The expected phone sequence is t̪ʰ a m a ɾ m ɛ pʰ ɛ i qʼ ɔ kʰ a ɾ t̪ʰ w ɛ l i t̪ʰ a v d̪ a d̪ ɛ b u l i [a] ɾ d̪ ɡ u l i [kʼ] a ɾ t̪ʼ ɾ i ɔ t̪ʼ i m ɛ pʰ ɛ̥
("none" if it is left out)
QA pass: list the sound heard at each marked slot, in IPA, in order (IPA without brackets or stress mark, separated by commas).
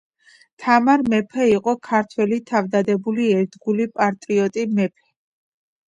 ɛ, pʼ